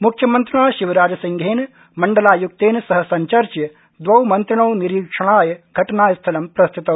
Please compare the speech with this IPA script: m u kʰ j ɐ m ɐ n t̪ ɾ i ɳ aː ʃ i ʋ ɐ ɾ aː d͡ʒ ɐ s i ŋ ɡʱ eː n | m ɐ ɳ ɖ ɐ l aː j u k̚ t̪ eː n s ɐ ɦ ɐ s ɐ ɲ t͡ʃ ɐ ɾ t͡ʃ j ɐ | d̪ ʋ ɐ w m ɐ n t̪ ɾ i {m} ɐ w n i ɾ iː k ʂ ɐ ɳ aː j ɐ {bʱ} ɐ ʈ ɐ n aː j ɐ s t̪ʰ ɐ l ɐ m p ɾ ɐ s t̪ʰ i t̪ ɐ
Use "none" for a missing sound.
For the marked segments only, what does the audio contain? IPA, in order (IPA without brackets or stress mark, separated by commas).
ɳ, ɡʱ